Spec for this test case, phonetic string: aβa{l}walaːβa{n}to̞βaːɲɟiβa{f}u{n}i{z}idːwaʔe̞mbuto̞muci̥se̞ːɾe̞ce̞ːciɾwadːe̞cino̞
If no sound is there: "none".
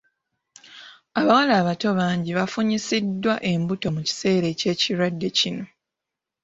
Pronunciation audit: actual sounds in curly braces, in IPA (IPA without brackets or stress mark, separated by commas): none, none, f, ɲ, s